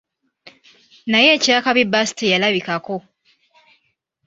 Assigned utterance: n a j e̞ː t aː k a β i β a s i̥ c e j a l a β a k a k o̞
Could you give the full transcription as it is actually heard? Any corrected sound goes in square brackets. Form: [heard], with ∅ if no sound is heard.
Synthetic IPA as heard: n a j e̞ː [c] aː k a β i [b] a s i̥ [t] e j a l a β [i] k a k o̞

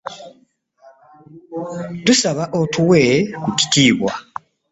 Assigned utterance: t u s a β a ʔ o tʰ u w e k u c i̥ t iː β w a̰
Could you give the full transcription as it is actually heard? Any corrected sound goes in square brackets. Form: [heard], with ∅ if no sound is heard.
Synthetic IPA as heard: t u s a β a ʔ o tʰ u w e k u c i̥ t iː β w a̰

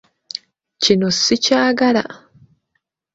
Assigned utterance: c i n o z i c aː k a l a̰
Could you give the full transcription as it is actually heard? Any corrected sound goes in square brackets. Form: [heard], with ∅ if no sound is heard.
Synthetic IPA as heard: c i n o [s] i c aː [ɡ] a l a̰

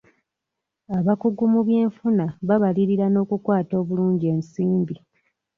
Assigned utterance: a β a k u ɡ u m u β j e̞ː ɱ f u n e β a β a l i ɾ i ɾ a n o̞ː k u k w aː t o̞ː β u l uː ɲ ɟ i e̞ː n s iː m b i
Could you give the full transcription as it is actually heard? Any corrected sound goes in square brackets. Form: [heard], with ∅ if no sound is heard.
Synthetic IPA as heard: a β a k u ɡ u m u β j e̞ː ɱ f u n [a] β a β a l i ɾ i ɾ a n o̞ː k u k w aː t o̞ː β u l uː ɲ ɟ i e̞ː n s iː m b i

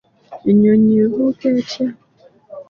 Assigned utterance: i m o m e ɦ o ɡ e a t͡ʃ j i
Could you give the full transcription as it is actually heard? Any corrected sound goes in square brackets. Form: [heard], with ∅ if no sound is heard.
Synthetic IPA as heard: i [ɲ] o [ɲ] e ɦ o [k] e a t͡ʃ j [a]

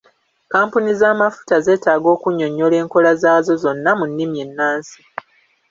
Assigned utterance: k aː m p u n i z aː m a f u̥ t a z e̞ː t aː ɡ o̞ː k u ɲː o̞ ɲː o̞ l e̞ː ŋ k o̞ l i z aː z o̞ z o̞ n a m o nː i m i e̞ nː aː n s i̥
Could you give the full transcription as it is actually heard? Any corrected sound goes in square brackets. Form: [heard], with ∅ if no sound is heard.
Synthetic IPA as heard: k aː m p u n i z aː m a f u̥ t a z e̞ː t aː ɡ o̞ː k u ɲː o̞ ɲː o̞ l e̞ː ŋ k o̞ l [a] z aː z o̞ z o̞ [nː] a m [u] nː i m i e̞ nː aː n s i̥

